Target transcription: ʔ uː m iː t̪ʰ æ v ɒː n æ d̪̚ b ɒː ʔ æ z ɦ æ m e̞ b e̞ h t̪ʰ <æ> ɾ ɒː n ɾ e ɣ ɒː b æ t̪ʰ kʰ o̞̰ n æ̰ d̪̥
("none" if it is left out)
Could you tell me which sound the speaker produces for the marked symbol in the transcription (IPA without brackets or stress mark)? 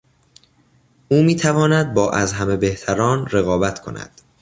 æ